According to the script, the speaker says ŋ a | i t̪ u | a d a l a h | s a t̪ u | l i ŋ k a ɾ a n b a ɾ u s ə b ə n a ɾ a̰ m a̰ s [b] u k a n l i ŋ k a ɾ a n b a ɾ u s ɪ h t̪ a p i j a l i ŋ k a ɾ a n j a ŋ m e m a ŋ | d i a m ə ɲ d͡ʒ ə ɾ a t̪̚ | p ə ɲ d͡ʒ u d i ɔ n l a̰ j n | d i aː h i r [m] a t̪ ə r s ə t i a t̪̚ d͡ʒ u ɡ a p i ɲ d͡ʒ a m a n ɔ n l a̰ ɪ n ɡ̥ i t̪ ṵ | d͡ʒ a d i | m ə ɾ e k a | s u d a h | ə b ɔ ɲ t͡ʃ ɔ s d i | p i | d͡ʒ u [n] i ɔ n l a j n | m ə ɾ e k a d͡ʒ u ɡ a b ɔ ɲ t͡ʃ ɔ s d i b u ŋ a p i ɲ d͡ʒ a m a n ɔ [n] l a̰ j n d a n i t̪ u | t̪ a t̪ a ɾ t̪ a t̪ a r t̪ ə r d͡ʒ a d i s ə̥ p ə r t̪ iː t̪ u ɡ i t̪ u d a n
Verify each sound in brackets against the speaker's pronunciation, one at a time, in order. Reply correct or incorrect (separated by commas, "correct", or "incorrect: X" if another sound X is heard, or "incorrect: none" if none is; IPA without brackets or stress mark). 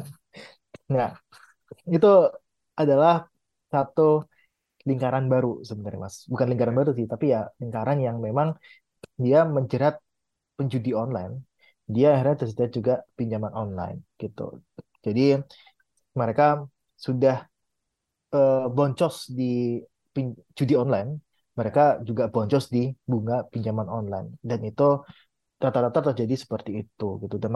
correct, incorrect: ɲ, incorrect: d, correct